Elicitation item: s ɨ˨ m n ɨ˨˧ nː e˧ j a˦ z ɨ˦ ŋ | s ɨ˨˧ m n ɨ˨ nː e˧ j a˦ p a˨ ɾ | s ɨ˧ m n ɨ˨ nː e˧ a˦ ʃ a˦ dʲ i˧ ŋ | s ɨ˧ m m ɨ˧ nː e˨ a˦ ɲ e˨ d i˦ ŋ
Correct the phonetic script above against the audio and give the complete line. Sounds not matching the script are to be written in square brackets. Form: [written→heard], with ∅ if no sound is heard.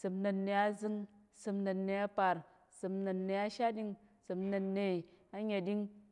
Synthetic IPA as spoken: s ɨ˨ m n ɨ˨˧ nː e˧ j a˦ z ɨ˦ ŋ | s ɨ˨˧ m n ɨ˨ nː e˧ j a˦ p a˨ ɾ | s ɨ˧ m n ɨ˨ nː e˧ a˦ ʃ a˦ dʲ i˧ ŋ | s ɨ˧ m [m→n] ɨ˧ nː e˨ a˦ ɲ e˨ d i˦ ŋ